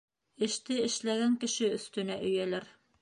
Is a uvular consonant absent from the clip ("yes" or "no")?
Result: yes